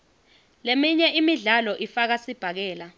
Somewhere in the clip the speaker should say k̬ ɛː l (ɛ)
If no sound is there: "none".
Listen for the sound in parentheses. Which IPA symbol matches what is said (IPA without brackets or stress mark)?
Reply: a